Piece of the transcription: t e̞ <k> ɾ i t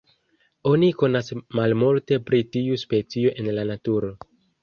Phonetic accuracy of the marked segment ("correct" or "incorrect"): incorrect